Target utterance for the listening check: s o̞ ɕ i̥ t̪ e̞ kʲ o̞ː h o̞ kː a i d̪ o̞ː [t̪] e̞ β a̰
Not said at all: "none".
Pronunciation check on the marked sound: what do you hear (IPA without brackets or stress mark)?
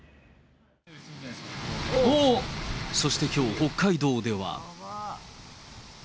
d̪